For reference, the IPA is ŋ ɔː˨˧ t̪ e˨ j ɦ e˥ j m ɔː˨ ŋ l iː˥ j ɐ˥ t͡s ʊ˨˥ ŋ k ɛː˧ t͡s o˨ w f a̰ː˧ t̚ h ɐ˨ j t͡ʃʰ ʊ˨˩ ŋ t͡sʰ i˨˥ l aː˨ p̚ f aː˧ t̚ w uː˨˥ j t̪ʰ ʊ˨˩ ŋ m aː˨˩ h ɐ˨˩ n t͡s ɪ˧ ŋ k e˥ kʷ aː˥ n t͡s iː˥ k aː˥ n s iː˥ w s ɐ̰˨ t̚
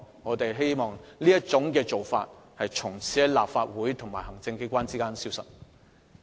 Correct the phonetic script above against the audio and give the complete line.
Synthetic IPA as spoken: ŋ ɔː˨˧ t̪ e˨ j ɦ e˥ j m ɔː˨ ŋ l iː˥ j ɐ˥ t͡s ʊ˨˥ ŋ k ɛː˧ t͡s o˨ w f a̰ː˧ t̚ h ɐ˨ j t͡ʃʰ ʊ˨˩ ŋ t͡sʰ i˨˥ l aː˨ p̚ f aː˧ t̚ w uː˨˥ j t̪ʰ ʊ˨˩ ŋ m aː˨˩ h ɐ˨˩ ŋ t͡s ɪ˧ ŋ k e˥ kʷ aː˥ n t͡s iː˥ k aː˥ n s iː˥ w s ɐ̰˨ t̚

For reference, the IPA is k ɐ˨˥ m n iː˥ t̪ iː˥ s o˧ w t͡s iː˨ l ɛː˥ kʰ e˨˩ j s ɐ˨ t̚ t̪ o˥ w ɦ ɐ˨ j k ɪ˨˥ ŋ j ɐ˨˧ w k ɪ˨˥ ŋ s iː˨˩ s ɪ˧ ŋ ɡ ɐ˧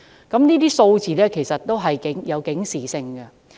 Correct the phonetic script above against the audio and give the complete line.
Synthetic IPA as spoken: k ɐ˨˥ m n iː˥ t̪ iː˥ s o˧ w t͡s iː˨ l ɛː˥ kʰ e˨˩ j s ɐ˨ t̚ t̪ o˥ w ɦ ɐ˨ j k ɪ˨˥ ŋ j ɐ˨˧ w k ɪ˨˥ ŋ s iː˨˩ s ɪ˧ ŋ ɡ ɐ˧

